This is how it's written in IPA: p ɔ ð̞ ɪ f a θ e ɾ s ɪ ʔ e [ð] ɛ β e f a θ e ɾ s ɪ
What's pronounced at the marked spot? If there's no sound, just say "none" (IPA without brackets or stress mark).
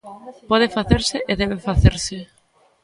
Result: ð